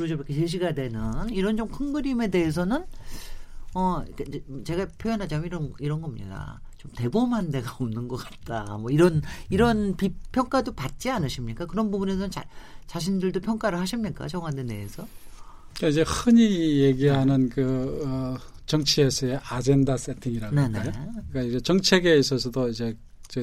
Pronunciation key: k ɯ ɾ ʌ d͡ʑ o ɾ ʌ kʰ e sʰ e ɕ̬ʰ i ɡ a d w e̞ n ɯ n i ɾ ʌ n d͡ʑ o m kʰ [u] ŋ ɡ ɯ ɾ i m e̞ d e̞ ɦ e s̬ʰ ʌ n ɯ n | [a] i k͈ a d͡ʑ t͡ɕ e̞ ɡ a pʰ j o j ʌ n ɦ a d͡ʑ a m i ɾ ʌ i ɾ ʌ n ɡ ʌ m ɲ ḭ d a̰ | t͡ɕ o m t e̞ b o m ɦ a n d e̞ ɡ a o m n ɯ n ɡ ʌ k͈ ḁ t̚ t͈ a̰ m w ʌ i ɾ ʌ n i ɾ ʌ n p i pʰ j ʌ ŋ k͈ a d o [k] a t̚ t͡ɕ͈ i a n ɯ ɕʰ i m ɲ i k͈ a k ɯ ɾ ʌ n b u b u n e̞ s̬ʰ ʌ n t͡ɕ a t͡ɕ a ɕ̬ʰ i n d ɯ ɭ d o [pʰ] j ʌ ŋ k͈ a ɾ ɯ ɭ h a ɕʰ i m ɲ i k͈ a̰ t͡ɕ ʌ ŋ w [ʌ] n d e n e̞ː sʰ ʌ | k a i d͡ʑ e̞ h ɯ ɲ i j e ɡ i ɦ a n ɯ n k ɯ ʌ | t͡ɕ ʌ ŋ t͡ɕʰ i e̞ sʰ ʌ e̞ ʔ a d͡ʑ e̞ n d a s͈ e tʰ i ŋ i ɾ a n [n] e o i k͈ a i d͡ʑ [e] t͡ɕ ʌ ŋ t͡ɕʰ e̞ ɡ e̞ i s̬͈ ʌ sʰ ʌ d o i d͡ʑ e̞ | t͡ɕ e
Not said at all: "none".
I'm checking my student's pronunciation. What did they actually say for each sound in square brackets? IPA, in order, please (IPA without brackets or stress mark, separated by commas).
ɯ, ʌ, p, pʰ, a, n, e